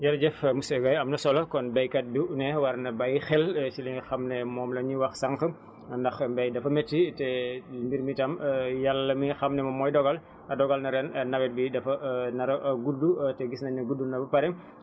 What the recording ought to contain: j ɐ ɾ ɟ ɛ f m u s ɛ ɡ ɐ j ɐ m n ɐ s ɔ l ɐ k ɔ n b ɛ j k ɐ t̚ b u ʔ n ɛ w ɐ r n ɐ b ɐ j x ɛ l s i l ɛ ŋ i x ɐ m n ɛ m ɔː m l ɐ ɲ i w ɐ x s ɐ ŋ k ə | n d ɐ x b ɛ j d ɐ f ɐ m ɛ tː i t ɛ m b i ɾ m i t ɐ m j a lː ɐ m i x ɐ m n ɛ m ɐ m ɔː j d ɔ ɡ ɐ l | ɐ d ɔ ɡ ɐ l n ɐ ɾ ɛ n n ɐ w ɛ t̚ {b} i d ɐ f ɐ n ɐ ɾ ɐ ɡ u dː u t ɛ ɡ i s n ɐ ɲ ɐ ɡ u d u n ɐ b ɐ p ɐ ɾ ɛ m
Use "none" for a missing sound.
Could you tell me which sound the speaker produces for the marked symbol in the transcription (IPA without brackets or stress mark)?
b